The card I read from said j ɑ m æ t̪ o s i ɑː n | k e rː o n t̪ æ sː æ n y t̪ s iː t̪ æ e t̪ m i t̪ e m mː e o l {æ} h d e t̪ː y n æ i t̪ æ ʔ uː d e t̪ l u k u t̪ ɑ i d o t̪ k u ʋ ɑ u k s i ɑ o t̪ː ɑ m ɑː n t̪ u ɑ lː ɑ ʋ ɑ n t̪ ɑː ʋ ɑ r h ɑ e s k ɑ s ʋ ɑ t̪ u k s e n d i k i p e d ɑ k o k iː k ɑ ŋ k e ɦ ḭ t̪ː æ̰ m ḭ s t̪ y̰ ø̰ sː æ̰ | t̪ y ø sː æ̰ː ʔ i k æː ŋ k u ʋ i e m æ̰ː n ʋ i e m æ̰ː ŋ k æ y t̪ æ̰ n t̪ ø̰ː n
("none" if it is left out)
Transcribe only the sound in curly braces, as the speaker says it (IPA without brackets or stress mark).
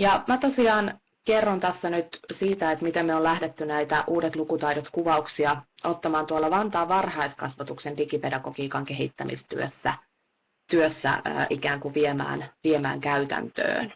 æ